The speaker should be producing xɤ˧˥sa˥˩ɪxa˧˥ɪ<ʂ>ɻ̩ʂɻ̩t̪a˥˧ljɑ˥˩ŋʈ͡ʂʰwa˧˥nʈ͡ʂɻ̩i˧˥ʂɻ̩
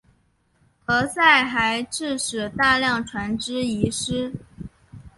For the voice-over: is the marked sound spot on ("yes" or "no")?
no